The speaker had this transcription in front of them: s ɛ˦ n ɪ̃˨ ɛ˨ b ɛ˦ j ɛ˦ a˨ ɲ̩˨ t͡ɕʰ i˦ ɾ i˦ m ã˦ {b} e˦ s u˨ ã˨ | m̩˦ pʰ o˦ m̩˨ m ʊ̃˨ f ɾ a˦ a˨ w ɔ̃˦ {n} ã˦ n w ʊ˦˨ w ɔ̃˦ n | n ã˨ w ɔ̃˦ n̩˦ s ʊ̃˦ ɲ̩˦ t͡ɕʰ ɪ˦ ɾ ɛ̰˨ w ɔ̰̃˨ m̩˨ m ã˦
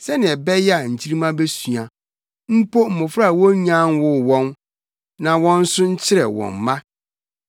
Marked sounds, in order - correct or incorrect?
correct, incorrect

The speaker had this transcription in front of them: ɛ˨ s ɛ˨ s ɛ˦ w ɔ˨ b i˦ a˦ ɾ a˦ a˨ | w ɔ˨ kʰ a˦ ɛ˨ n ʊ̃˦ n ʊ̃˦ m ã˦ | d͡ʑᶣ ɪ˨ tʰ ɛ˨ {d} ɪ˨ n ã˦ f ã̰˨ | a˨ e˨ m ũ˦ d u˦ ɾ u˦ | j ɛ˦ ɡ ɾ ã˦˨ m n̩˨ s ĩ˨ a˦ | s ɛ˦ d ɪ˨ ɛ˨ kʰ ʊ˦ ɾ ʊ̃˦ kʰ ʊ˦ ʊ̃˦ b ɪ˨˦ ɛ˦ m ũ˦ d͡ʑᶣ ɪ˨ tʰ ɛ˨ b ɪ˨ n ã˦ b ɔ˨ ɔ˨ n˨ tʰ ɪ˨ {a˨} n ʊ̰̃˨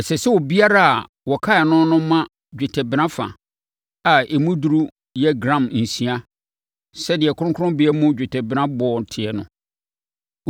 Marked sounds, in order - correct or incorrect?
incorrect, incorrect

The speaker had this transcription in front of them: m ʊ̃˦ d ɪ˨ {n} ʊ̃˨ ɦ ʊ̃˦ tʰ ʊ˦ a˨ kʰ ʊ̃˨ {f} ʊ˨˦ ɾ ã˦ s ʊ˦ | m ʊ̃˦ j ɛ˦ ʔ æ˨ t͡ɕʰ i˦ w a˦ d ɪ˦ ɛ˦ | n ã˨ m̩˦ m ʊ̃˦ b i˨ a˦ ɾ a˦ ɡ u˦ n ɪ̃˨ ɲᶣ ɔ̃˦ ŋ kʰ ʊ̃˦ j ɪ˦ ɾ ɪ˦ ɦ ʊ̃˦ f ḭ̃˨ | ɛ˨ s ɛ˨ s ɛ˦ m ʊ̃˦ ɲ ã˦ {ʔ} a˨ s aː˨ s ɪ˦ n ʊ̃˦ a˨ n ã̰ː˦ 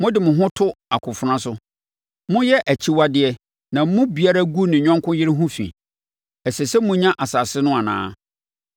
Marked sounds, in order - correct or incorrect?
incorrect, correct, correct

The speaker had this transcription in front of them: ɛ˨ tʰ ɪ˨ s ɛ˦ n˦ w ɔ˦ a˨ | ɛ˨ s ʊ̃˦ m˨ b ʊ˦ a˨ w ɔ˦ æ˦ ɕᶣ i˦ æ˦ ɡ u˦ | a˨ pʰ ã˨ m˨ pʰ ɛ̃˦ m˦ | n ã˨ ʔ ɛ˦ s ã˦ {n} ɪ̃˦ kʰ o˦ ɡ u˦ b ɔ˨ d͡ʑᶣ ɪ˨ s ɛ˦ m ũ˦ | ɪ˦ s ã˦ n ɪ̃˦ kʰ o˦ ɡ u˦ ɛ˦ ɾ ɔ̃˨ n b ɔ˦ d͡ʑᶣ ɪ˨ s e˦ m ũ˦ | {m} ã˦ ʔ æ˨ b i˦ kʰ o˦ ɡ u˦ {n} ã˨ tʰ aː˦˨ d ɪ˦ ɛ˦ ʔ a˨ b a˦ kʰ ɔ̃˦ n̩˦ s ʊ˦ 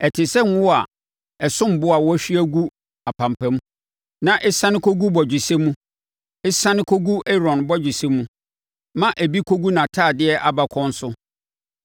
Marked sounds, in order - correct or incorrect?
correct, correct, correct

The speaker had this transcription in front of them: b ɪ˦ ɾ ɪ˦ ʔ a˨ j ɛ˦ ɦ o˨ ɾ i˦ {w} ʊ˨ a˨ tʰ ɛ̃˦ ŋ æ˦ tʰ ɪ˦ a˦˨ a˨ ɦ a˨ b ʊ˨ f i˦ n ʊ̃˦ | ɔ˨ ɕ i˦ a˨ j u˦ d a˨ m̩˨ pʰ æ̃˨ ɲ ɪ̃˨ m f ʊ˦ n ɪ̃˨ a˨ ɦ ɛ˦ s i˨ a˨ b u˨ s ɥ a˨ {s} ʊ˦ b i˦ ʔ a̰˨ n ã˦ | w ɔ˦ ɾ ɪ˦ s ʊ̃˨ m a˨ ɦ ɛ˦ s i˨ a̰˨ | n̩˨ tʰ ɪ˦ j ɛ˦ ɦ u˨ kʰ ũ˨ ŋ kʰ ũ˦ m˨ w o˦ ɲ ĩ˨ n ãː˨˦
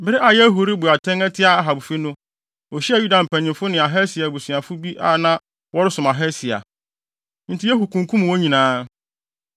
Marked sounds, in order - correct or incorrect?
incorrect, incorrect

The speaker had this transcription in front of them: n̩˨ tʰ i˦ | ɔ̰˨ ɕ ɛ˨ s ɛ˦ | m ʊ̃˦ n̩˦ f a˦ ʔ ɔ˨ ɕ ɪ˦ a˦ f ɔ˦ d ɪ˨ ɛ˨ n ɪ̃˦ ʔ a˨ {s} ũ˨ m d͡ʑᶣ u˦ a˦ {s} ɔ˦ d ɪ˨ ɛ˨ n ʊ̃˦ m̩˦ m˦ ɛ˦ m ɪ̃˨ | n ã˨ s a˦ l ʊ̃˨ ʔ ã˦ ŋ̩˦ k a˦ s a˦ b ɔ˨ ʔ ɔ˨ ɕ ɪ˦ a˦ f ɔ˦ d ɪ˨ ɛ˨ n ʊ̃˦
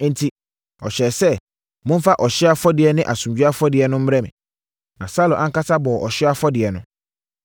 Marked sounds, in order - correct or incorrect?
correct, incorrect

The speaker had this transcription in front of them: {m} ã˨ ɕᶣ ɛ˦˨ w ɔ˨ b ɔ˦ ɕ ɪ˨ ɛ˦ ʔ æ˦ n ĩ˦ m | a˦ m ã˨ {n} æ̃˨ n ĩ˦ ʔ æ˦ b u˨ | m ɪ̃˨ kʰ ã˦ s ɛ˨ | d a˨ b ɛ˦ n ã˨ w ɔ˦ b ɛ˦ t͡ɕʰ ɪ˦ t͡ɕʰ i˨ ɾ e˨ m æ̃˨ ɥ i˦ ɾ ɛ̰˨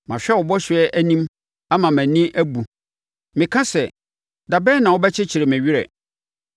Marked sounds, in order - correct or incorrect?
correct, incorrect

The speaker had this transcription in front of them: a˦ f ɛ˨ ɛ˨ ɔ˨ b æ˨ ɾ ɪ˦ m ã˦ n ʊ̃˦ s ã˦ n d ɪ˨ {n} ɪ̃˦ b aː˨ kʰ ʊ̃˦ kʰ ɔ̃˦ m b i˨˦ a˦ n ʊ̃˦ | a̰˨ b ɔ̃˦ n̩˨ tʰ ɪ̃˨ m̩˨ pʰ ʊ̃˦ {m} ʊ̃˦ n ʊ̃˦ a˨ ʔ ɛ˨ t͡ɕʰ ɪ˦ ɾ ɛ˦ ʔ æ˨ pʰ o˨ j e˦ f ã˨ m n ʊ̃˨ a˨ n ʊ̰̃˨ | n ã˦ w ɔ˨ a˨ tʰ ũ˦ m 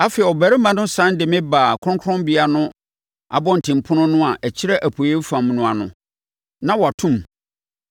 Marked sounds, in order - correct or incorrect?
incorrect, incorrect

